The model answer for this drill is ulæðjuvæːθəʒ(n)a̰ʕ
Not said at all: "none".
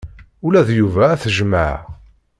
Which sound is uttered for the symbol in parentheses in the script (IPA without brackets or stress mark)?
m